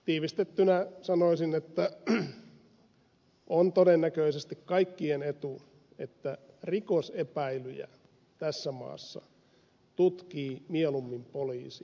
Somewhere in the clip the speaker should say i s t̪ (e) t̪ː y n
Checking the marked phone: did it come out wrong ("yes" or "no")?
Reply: no